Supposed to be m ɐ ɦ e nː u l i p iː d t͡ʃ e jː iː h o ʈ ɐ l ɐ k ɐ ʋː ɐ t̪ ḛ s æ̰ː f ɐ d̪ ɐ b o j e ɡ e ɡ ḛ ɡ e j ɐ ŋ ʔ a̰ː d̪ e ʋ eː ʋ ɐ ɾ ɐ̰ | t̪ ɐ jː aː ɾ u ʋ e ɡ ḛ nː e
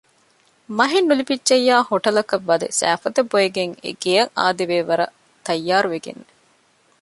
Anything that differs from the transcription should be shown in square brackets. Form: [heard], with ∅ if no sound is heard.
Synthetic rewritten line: m ɐ ɦ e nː u l i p [i] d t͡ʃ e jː [aː] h o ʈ ɐ l ɐ k ɐ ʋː ɐ [d̪] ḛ s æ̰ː f ɐ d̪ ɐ b o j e ɡ e [ŋ] ḛ ɡ e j ɐ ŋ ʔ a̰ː d̪ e ʋ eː ʋ ɐ ɾ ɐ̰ | t̪ ɐ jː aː ɾ u ʋ e ɡ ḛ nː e

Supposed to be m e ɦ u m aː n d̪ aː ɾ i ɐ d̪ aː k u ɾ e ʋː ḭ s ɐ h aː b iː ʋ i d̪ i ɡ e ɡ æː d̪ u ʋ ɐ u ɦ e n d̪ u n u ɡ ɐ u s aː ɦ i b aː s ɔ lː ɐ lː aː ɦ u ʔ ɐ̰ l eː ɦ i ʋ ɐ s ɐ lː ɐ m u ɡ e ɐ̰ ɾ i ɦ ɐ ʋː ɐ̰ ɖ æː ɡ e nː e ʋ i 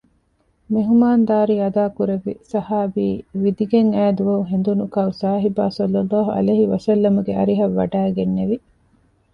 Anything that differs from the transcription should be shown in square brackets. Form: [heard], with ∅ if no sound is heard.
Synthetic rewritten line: m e ɦ u m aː n d̪ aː ɾ i ɐ d̪ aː k u ɾ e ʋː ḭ s ɐ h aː b iː ʋ i d̪ i ɡ e [ŋ] æː d̪ u ʋ ɐ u ɦ e n d̪ u n u [k] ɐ u s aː ɦ i b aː s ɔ lː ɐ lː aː ɦ u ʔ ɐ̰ l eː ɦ i ʋ ɐ s ɐ lː ɐ m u ɡ e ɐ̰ ɾ i ɦ ɐ ʋː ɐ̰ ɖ æː ɡ e nː e ʋ i

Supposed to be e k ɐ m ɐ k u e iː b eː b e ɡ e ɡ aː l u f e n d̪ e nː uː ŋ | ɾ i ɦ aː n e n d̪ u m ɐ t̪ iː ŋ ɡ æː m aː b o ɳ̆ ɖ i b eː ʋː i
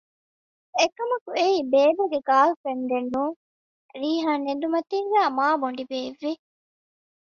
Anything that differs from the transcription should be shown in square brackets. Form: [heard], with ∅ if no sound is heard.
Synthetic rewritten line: e k ɐ m ɐ k u e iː b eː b e ɡ e ɡ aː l u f e n d̪ e nː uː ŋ | ɾ [iː] ɦ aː n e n d̪ u m ɐ t̪ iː ŋ ɡ æː m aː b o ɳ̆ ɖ i b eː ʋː i

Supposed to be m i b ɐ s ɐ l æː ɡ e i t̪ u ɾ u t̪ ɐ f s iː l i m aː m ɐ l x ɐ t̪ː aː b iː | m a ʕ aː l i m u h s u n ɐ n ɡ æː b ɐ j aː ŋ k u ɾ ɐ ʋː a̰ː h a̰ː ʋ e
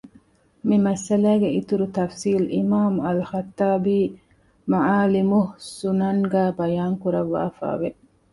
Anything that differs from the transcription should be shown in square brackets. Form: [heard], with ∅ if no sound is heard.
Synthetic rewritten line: m i [m] ɐ s ɐ l æː ɡ e i t̪ u ɾ u t̪ ɐ f s iː l i m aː m ɐ l x ɐ t̪ː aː b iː | m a ʕ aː l i m u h s u n ɐ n ɡ æː b ɐ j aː ŋ k u ɾ ɐ ʋː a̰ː [f] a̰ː ʋ e

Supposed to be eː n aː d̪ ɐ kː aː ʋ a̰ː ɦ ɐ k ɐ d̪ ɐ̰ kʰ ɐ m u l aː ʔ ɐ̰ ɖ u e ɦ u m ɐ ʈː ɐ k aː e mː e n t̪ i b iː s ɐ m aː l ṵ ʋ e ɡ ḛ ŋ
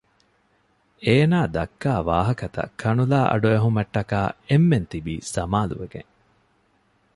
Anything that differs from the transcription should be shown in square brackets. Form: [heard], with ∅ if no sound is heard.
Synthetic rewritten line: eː n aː d̪ ɐ kː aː ʋ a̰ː ɦ ɐ k ɐ [t̪] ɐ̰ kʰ ɐ [n] u l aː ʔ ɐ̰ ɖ u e ɦ u m ɐ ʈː ɐ k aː e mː e n t̪ i b iː s ɐ m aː l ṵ ʋ e ɡ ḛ ŋ

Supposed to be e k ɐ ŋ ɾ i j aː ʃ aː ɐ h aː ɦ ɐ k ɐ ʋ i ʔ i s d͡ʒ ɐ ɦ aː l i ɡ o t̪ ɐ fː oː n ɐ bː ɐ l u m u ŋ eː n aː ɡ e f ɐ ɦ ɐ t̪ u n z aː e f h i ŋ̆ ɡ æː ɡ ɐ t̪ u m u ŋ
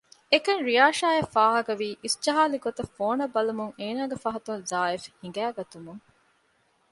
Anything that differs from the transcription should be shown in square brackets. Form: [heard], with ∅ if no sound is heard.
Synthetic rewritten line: e k ɐ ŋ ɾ i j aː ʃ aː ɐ [f] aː ɦ ɐ k ɐ ʋ [iː] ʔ i s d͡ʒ ɐ ɦ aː l i ɡ o t̪ ɐ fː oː n ɐ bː ɐ l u m u ŋ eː n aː ɡ e f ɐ ɦ ɐ t̪ u n z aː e f h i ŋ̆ ɡ æː ɡ ɐ t̪ u m u ŋ

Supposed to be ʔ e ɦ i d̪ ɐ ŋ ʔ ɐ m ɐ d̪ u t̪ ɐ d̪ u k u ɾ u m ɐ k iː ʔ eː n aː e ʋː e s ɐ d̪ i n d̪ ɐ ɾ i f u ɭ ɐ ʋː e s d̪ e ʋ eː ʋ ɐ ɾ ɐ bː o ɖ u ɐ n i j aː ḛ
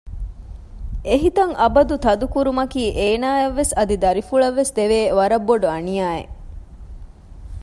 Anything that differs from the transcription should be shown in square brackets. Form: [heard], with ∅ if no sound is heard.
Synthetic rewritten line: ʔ e ɦ i [t̪] ɐ ŋ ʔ ɐ [b] ɐ d̪ u t̪ ɐ d̪ u k u ɾ u m ɐ k iː ʔ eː n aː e ʋː e s ɐ d̪ i [∅] d̪ ɐ ɾ i f u ɭ ɐ ʋː e s d̪ e ʋ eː ʋ ɐ ɾ ɐ bː o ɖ u ɐ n i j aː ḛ

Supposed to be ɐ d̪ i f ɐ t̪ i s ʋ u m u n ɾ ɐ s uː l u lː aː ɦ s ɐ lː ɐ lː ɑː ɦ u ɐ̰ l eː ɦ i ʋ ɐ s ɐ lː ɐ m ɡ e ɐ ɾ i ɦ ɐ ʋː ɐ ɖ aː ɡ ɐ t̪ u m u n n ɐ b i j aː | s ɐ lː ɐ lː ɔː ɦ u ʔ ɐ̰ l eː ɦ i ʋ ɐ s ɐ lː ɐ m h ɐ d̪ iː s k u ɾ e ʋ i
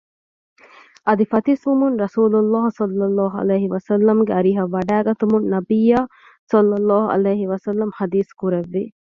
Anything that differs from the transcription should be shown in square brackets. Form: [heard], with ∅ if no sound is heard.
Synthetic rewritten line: ɐ d̪ i f ɐ t̪ i s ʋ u m u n ɾ ɐ s uː l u lː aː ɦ s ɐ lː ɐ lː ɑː ɦ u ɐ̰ l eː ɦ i ʋ ɐ s ɐ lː ɐ m ɡ e ɐ ɾ i ɦ ɐ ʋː ɐ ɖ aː ɡ ɐ t̪ u m u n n ɐ b i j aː | s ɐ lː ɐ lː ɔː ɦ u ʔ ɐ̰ l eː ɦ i ʋ ɐ s ɐ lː ɐ m h ɐ d̪ iː s k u ɾ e [ʋː] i

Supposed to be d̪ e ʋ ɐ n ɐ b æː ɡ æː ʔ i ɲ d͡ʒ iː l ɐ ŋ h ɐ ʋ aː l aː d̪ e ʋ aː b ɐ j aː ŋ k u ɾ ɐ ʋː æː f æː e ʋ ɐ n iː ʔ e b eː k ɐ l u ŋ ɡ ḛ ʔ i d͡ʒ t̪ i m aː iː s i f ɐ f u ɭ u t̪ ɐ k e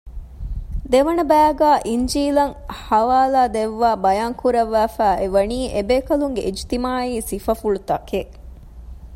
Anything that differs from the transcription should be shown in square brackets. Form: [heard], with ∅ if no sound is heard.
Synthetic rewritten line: d̪ e ʋ ɐ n ɐ b æː ɡ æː ʔ i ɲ d͡ʒ iː l ɐ ŋ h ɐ ʋ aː l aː d̪ e [ʋː] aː b ɐ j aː ŋ k u ɾ ɐ ʋː æː f æː e ʋ ɐ n iː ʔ e b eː k ɐ l u ŋ ɡ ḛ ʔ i d͡ʒ t̪ i m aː iː s i f ɐ f u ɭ u t̪ ɐ k e

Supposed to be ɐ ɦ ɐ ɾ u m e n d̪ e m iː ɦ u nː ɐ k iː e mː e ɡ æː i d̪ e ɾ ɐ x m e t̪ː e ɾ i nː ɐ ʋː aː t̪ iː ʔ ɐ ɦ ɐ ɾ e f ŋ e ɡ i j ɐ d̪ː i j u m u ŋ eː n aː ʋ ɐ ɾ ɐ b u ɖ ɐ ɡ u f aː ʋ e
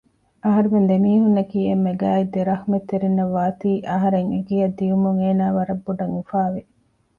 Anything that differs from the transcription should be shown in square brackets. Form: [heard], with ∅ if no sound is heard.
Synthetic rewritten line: ɐ ɦ ɐ ɾ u m e n d̪ e m iː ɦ u nː ɐ k iː e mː e ɡ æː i d̪ e ɾ ɐ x m e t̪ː e ɾ i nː ɐ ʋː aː t̪ iː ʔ ɐ ɦ ɐ ɾ e [∅] ŋ e ɡ i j ɐ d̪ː i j u m u ŋ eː n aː ʋ ɐ ɾ ɐ [bː] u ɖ ɐ [ŋ] u f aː ʋ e

